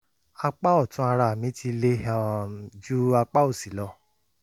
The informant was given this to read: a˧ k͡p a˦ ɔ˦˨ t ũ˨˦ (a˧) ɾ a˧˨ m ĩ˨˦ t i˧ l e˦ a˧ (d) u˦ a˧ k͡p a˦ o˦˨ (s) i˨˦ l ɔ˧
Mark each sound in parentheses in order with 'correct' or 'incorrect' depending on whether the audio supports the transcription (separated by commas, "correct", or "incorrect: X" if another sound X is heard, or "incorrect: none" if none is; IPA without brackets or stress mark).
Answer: correct, incorrect: d͡ʒ, correct